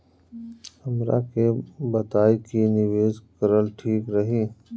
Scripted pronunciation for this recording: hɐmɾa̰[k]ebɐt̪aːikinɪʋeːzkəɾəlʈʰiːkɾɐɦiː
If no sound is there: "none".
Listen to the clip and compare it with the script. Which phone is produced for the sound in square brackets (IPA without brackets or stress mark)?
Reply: k